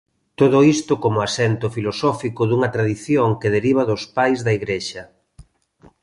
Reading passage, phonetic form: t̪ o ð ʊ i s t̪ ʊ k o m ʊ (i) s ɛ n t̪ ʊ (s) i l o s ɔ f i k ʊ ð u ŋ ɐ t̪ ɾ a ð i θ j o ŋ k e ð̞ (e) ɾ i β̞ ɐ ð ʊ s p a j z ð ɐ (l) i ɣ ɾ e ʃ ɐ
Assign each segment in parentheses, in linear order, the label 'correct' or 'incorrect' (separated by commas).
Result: incorrect, incorrect, correct, incorrect